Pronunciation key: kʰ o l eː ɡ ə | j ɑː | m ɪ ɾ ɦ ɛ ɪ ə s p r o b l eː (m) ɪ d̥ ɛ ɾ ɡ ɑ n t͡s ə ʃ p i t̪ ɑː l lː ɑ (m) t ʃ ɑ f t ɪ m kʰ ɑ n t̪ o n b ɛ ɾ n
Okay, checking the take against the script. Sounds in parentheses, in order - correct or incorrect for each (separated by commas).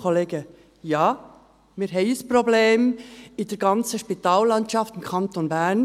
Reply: correct, incorrect